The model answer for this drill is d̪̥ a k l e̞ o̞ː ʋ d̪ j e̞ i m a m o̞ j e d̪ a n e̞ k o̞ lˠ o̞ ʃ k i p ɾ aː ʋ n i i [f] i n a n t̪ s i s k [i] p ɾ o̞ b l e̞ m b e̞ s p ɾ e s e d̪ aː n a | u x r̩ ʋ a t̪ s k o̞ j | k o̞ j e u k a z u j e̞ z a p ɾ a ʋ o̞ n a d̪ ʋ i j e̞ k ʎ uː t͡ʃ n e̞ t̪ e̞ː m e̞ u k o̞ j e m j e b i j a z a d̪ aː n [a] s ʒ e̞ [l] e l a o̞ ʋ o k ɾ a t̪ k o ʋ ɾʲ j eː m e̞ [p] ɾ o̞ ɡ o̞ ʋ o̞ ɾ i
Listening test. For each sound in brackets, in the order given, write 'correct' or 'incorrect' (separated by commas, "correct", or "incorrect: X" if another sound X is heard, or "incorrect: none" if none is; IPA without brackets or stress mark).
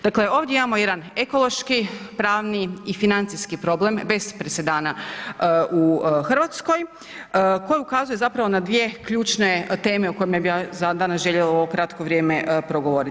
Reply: correct, correct, correct, incorrect: ʎ, correct